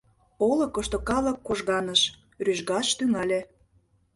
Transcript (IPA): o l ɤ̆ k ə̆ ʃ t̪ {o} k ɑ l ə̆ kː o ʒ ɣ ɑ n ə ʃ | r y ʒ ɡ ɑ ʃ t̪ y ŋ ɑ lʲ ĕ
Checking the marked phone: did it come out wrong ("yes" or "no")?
no